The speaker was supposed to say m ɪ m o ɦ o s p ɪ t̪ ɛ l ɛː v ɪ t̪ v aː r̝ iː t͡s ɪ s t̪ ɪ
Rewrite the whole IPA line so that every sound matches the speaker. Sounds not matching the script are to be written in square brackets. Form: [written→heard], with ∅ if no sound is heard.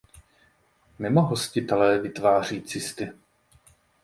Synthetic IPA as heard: m ɪ m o ɦ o s [p→c] ɪ t̪ ɛ l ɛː v ɪ t̪ v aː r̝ iː t͡s ɪ s t̪ ɪ